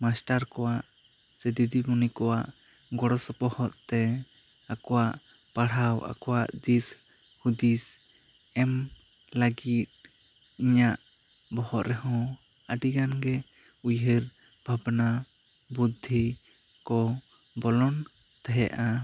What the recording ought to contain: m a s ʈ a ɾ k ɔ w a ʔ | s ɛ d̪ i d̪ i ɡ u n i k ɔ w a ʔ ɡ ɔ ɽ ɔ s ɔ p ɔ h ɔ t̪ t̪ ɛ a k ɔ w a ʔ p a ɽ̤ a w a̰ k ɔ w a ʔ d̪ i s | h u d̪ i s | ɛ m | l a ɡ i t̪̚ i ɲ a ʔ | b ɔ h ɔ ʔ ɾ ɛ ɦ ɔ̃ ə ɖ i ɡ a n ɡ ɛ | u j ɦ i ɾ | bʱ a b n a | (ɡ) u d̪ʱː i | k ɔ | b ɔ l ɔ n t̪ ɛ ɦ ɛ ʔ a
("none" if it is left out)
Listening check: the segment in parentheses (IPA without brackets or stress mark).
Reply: b